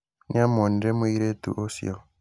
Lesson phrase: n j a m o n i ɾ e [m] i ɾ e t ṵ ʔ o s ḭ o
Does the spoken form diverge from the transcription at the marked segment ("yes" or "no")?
no